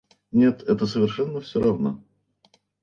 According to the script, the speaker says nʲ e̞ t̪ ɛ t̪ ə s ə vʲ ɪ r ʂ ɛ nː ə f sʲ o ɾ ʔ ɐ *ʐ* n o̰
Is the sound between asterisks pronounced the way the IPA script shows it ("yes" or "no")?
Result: no